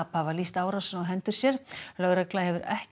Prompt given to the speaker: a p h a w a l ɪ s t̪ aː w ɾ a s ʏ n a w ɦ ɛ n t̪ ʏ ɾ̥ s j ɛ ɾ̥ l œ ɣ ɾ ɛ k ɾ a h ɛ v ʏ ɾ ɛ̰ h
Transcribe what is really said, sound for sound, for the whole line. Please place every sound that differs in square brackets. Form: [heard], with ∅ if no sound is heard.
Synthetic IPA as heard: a p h a [v] a l [i] s t̪ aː w ɾ a s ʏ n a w ɦ ɛ n t̪ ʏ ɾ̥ s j ɛ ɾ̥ l œ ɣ ɾ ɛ k [l] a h ɛ v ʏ ɾ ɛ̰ h